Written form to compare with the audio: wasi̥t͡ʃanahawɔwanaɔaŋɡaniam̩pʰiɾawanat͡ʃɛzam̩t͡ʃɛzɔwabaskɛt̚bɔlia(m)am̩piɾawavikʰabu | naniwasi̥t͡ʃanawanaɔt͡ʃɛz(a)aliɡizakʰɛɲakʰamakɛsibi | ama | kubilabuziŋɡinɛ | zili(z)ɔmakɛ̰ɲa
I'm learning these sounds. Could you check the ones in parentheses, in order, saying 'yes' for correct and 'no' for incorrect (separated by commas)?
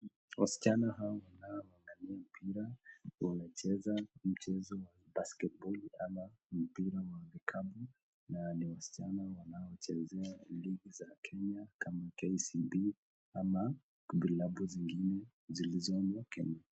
yes, no, yes